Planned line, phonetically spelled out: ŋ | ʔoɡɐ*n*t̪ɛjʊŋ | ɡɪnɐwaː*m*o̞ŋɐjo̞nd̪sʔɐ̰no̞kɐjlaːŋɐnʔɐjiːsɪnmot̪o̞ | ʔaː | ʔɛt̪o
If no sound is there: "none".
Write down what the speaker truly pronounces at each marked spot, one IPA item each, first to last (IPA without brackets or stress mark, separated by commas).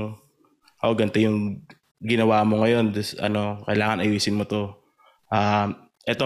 n, m